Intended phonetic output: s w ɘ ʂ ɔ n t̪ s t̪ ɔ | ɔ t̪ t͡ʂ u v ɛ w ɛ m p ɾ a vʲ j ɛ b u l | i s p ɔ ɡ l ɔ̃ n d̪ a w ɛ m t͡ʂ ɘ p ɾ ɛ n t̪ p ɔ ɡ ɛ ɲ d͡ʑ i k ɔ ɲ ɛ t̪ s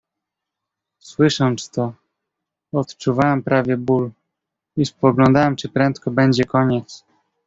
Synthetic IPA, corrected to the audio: s w ɘ ʂ ɔ n t̪ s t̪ ɔ | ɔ t̪ t͡ʂ u v a w ɛ m p ɾ a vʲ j ɛ b u l | i s p ɔ ɡ l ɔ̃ n d̪ a w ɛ m t͡ʂ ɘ p ɾ ɛ n t̪ k ɔ b ɛ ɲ d͡ʑ ɛ k ɔ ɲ ɛ t̪ s

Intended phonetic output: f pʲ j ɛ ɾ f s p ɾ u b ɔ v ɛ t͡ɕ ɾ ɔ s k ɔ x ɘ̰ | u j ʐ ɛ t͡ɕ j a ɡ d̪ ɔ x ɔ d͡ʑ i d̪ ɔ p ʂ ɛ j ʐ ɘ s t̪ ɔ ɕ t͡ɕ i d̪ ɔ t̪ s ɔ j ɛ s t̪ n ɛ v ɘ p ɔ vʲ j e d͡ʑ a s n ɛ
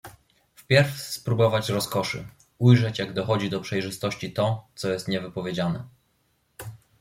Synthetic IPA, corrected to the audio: f pʲ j ɛ ɾ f s p ɾ u b ɔ v a t͡ɕ ɾ ɔ s k ɔ ʂ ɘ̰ | u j ʐ ɛ t͡ɕ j a ɡ d̪ ɔ x ɔ d͡ʑ i d̪ ɔ p ʂ ɛ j ʐ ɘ s t̪ ɔ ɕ t͡ɕ i t̪ ɔ t̪ s ɔ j ɛ s t̪ ɲ ɛ v ɘ p ɔ vʲ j e d͡ʑ a n ɛ

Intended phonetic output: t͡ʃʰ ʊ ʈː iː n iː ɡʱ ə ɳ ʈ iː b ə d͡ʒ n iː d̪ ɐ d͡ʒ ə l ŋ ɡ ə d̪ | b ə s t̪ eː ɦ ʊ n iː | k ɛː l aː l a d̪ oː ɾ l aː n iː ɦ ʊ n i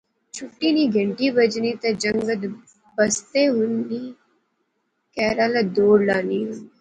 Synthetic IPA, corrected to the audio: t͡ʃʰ ʊ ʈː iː n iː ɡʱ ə ɳ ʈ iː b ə d͡ʒ n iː t̪ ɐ d͡ʒ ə ŋ ɡ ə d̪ | b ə s t̪ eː ɦ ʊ n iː | k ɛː ɾ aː l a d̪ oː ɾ l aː n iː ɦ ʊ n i

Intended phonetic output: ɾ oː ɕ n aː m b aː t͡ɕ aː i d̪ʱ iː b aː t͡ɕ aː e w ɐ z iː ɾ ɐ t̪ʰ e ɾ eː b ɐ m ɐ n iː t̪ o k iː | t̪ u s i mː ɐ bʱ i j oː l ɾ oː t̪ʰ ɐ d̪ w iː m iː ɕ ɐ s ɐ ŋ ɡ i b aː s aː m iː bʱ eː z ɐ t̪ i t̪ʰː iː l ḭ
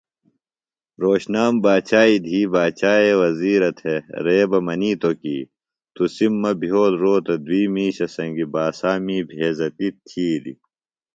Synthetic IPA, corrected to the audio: ɾ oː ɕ n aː m b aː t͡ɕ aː i d̪ʱ iː b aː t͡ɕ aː e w ɐ z iː ɾ ɐ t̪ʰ e ɾ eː b ɐ m ɐ n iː t̪ o k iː | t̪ u s i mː ɐ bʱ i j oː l ɾ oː t̪ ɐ d̪ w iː m iː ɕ ɐ s ɐ ŋ ɡ i b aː s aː m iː bʱ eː z ɐ t̪ i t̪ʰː iː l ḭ

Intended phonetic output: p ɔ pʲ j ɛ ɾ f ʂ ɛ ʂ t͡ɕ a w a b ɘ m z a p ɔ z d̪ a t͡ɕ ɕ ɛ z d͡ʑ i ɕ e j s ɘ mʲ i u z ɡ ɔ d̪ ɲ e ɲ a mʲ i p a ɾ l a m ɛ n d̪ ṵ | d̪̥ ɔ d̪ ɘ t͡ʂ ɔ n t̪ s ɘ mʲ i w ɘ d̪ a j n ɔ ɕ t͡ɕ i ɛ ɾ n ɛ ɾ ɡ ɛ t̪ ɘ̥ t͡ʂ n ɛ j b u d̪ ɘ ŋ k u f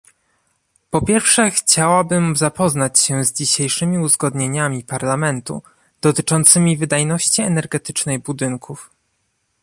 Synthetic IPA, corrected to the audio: p ɔ pʲ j ɛ ɾ f ʂ ɛ x t͡ɕ a w a b ɘ m z a p ɔ z n̪ a t͡ɕ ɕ ɛ z d͡ʑ i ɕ e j ʂ ɘ mʲ i u z ɡ ɔ d̪ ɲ e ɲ a mʲ i p a ɾ l a m ɛ n t̪ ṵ | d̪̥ ɔ t̪ ɘ t͡ʂ ɔ n t̪ s ɘ mʲ i v ɘ d̪ a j n ɔ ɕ t͡ɕ i ɛ n ɛ ɾ ɡ ɛ t̪ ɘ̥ t͡ʂ n ɛ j b u d̪ ɘ ŋ k u f

